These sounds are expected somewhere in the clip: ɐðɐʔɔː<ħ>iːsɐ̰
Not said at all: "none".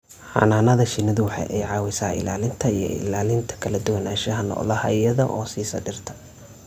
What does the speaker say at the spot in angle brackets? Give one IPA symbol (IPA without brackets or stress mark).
s